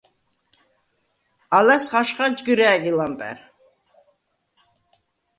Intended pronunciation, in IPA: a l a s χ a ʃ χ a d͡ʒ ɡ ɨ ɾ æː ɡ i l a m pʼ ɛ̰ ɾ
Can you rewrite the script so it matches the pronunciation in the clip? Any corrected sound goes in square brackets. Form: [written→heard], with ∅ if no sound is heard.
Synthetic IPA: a l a s χ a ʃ χ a d͡ʒ ɡ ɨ ɾ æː ɡ i l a m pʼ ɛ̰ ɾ